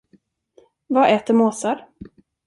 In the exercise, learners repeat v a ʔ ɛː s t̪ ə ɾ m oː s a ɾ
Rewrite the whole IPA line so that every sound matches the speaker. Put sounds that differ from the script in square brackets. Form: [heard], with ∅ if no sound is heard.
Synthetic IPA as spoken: v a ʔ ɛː [∅] t̪ ə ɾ m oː s a ɾ